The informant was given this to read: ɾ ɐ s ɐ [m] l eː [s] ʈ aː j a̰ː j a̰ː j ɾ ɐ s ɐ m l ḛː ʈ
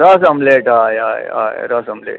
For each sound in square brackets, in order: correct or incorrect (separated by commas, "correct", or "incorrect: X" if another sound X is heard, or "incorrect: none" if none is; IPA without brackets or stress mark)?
correct, incorrect: none